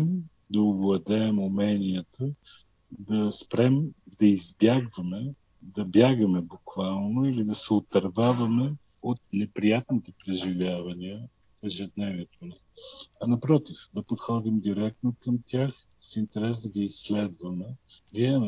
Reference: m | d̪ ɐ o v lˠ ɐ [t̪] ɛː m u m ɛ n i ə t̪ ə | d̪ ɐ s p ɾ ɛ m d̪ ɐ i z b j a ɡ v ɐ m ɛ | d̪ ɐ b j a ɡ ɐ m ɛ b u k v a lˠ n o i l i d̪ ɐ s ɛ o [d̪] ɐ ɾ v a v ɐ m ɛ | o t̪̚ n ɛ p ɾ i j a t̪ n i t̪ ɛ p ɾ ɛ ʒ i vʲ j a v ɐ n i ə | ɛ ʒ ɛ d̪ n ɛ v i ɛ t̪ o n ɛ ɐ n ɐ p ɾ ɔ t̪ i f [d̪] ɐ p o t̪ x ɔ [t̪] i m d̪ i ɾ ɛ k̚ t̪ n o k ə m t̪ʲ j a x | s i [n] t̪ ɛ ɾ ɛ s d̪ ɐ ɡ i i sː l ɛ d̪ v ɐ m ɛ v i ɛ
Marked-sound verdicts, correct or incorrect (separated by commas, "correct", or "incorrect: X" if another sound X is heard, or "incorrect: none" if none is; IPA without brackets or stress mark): incorrect: d̪, incorrect: t̪, correct, incorrect: d̪, correct